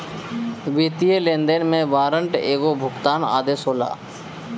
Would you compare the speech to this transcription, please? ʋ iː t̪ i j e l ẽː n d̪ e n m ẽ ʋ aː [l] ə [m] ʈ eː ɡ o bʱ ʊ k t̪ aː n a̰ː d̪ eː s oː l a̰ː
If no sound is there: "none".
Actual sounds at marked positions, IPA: ɾ, ɳ

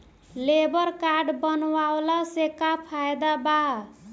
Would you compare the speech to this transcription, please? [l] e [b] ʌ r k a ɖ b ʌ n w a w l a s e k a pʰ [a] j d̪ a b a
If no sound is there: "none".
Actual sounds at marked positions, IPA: l, b, a

